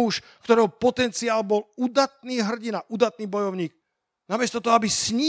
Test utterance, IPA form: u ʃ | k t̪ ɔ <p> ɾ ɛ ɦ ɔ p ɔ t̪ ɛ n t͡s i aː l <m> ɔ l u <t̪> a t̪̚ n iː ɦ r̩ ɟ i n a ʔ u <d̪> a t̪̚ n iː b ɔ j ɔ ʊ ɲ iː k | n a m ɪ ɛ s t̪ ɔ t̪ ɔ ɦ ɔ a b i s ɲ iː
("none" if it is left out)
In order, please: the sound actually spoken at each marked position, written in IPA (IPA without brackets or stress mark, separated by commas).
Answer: none, b, d̪, d̪